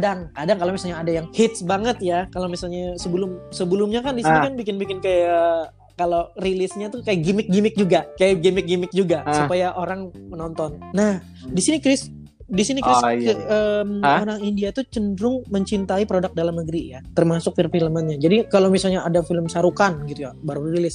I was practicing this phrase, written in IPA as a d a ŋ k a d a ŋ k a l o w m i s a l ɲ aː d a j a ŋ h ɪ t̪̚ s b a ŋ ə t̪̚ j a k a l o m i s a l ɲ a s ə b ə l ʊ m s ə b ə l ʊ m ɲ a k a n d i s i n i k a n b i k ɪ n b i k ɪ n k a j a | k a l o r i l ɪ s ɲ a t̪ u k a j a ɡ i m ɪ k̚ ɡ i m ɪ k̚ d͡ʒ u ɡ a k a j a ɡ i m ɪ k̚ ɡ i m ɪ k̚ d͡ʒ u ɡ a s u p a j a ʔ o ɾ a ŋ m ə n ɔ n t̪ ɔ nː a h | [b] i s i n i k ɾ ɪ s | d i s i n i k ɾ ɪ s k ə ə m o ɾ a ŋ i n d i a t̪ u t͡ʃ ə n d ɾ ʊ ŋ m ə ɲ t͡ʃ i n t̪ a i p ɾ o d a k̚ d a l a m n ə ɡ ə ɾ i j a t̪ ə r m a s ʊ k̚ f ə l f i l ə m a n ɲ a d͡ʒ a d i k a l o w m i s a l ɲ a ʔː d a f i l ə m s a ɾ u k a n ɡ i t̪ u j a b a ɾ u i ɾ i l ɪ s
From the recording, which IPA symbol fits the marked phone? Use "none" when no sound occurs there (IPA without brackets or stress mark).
d